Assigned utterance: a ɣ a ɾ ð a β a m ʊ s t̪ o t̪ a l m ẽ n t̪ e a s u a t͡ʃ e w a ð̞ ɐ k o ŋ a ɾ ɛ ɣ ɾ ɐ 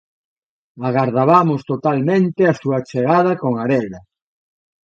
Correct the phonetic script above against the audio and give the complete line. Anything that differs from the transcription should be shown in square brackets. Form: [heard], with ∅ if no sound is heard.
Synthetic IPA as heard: a ɣ a ɾ ð a β a m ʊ s t̪ o t̪ a l m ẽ n t̪ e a s u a t͡ʃ e [ɣ] a ð̞ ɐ k o ŋ a ɾ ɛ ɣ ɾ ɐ